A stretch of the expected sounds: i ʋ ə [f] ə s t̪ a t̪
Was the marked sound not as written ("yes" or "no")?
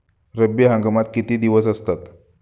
yes